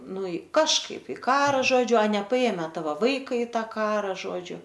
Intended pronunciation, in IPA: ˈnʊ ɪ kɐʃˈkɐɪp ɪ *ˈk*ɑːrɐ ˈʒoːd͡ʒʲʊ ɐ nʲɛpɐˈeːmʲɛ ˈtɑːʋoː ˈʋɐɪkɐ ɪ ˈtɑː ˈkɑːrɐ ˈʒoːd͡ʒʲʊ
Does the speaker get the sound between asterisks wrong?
no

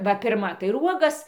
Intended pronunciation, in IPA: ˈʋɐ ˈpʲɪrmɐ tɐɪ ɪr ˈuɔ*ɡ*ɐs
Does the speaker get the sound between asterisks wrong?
no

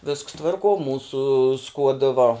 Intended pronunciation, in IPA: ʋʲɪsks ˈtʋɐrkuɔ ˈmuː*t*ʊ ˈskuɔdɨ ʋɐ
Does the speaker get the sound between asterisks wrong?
yes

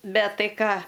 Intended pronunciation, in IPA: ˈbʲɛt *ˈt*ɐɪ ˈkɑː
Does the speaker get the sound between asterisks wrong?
no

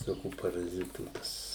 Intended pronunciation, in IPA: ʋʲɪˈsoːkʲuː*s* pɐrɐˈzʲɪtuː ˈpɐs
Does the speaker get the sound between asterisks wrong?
yes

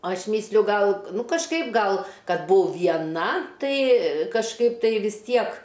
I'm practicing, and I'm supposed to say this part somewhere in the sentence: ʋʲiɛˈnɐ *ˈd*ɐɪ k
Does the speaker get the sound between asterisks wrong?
yes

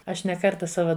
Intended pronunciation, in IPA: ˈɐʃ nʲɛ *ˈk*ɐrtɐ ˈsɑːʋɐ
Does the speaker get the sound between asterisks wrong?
no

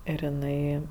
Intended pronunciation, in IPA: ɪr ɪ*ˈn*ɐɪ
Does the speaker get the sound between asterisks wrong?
no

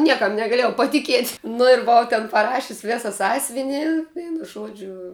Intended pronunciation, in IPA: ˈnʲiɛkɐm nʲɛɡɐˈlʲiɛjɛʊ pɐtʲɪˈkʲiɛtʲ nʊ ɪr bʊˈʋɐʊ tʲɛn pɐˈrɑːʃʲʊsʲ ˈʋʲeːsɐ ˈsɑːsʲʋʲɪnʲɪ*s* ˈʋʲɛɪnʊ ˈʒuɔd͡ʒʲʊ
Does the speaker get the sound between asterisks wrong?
yes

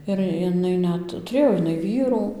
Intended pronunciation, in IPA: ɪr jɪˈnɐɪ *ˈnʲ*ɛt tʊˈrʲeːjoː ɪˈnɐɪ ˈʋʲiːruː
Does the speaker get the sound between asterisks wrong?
no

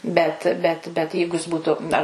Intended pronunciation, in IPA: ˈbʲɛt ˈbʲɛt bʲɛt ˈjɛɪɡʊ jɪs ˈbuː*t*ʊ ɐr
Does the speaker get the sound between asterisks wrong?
no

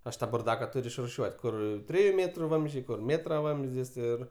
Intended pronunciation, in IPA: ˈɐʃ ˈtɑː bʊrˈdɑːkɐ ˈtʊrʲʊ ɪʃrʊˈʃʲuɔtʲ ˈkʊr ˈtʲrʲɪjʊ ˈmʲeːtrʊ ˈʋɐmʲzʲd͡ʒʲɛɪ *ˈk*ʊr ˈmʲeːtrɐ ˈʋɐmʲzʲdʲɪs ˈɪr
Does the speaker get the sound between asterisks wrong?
no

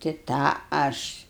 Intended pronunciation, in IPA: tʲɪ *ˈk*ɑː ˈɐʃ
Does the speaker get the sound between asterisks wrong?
yes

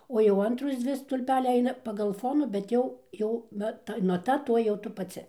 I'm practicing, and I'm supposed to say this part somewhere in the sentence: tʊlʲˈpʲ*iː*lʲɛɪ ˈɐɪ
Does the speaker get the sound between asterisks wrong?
yes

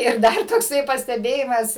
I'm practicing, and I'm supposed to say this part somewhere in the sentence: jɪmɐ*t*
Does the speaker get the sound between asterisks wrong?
yes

